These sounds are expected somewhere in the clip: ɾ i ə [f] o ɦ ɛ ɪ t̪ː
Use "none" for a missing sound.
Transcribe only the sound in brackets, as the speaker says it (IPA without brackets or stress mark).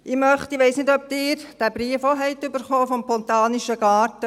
f